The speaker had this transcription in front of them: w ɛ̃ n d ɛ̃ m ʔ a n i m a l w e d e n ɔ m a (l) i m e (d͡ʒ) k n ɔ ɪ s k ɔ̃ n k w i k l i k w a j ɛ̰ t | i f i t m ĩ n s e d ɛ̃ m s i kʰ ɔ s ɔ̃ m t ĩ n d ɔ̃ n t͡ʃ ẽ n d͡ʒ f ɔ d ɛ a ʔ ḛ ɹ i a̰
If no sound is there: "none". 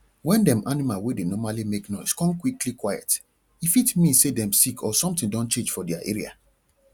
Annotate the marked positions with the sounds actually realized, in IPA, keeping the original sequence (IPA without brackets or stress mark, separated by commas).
l, none